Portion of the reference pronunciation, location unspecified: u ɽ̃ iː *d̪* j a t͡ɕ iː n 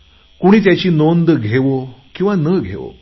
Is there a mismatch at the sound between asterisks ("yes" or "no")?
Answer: yes